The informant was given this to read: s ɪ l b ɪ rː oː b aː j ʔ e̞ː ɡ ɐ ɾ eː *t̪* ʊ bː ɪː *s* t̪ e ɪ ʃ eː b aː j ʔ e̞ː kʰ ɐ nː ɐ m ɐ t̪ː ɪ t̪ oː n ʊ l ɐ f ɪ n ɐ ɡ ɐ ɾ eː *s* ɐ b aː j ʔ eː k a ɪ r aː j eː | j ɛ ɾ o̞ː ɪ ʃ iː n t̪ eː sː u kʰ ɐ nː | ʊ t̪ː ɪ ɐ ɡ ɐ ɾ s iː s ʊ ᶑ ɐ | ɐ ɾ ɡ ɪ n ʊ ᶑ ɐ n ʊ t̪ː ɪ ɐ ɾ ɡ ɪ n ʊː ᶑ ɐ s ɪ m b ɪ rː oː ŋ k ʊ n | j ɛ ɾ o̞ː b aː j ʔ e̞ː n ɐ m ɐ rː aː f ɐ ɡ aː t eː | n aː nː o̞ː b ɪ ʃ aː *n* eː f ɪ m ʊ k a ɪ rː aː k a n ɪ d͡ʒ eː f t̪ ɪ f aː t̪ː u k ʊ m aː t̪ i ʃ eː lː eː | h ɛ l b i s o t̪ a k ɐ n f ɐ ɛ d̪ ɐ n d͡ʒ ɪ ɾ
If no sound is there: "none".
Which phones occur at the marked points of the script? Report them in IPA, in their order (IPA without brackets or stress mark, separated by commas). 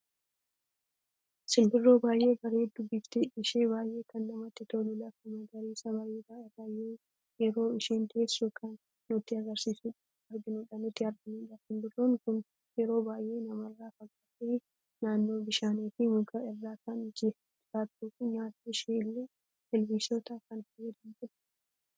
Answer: d̪, f, s, n